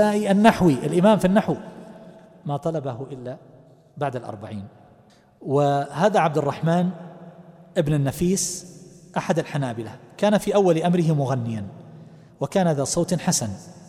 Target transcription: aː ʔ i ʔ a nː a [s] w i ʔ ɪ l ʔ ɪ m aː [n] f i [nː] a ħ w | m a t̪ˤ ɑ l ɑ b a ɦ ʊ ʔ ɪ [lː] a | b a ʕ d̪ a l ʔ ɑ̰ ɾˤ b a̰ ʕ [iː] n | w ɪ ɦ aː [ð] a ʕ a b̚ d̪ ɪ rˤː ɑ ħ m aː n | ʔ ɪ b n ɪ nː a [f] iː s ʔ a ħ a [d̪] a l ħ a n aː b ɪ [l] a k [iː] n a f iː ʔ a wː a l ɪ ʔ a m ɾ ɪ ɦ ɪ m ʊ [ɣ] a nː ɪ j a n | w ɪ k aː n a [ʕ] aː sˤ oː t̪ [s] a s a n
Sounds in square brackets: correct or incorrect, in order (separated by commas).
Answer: incorrect, incorrect, correct, correct, correct, correct, correct, correct, correct, incorrect, correct, incorrect, incorrect